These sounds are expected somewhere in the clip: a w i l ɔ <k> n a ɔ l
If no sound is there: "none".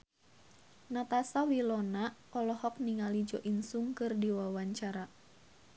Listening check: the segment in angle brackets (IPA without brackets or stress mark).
none